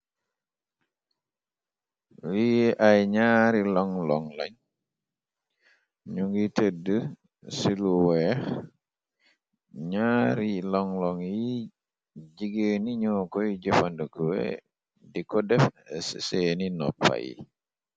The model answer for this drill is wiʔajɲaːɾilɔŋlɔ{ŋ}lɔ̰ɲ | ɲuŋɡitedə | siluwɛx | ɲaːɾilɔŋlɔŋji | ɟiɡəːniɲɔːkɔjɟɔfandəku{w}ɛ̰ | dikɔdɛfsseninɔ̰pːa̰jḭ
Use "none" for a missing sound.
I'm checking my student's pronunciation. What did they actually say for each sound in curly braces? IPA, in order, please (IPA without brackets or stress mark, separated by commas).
ŋ, w